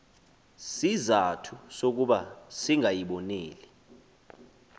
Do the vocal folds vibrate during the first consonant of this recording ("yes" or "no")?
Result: no